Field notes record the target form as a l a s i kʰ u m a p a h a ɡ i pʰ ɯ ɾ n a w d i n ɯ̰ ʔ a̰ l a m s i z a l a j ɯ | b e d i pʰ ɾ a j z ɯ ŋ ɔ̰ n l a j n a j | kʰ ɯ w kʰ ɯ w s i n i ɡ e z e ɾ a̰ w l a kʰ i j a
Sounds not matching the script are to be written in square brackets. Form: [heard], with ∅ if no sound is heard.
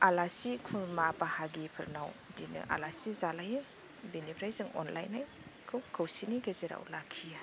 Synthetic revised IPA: a l a s i kʰ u m a p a h a ɡ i pʰ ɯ ɾ n a w d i n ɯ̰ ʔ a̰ l a [∅] s i z a l a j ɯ | b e [n] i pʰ ɾ a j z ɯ ŋ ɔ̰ n l a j n a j | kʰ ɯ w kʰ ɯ w s i n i ɡ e z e ɾ a̰ w l a kʰ i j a